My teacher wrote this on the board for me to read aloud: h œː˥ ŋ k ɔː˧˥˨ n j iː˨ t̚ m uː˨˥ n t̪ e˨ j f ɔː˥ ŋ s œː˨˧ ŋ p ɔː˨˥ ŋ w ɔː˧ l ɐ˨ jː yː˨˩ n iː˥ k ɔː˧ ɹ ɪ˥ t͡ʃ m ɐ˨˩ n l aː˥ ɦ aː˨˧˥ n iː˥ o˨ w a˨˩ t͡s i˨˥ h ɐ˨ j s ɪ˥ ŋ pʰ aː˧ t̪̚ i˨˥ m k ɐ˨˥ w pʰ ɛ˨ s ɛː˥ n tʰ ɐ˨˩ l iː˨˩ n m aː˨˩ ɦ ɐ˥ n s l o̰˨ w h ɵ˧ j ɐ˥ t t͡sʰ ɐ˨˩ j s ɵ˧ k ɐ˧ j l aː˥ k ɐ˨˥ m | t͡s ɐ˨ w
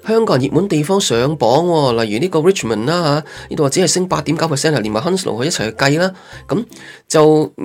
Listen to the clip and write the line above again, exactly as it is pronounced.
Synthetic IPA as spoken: h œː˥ ŋ k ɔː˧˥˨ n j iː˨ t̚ m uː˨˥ n t̪ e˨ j f ɔː˥ ŋ s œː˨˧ ŋ p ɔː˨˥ ŋ w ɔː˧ l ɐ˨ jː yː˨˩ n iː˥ k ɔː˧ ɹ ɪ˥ t͡ʃ m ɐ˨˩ n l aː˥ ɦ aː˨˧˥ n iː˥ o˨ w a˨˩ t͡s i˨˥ h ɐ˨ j s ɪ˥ ŋ p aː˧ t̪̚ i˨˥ m k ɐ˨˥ w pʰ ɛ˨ s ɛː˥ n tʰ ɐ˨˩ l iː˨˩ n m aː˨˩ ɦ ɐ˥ n s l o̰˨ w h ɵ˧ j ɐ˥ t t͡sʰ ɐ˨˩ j h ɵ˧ k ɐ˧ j l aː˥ k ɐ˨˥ m | t͡s ɐ˨ w